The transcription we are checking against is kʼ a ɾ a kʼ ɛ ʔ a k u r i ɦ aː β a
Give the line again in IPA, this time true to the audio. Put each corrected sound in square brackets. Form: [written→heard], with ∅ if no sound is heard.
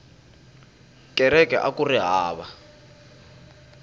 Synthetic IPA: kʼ [a→ɛ] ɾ [a→ɛ] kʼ ɛ ʔ a k u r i ɦ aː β a